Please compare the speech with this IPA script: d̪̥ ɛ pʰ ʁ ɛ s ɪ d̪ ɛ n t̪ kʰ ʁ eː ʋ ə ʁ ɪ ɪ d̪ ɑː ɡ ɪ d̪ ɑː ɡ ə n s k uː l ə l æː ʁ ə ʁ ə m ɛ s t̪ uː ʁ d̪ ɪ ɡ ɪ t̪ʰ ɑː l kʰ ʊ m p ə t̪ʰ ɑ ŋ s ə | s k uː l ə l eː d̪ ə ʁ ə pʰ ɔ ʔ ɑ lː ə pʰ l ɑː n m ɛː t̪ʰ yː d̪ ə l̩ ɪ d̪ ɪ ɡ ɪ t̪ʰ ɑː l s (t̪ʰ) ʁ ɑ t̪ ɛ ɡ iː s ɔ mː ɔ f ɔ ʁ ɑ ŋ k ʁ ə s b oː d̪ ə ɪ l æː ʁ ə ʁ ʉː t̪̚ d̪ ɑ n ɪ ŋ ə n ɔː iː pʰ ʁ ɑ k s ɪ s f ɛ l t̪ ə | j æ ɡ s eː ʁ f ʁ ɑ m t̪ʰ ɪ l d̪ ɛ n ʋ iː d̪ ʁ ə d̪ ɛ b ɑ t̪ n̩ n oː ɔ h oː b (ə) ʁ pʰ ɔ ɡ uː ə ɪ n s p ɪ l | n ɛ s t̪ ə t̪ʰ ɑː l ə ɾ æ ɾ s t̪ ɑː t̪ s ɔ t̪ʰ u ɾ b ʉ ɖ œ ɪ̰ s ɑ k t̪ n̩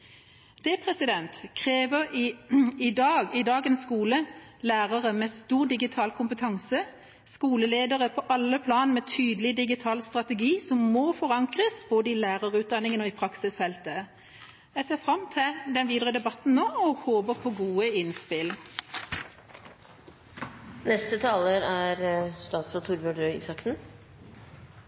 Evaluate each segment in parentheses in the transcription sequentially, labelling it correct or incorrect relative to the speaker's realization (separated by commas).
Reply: incorrect, correct